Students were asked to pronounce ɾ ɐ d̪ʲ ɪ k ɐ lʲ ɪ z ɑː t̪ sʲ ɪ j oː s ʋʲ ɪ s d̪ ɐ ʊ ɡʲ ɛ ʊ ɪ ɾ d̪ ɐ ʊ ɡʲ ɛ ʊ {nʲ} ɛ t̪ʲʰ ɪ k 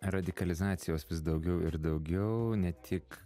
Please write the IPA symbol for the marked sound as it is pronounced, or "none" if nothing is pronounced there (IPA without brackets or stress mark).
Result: nʲ